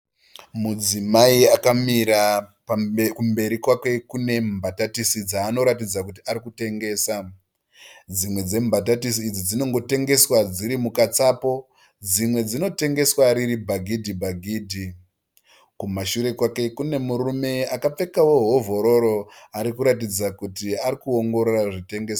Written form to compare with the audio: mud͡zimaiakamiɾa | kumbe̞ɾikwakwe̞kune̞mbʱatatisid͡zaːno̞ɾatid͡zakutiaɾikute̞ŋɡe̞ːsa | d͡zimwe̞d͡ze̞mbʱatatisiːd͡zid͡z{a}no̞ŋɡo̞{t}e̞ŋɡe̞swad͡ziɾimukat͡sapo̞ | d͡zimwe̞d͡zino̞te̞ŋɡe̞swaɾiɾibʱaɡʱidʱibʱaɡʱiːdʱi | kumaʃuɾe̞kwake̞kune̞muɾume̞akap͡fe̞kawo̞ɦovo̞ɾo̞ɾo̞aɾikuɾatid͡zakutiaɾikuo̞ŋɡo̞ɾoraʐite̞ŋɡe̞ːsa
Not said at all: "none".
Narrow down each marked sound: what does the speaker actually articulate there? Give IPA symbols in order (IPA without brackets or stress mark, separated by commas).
i, t